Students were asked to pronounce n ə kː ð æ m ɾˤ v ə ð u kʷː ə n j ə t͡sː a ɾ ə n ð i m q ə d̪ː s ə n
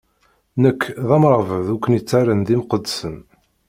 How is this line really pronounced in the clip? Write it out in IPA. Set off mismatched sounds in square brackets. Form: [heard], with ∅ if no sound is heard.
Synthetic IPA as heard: n ə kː ð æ m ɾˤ v ə ð u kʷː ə n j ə t͡sː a ɾ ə n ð i m q ə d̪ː s ə n